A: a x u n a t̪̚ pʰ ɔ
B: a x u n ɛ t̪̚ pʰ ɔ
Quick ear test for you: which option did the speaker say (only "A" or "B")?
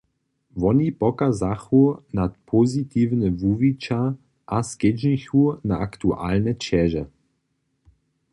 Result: A